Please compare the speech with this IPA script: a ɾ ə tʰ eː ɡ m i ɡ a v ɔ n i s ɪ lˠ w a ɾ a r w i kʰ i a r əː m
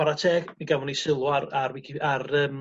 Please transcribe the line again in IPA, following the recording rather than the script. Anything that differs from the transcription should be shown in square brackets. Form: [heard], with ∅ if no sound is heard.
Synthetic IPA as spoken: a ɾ [a] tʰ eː ɡ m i ɡ a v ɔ n i s ɪ lˠ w a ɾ a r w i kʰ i a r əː m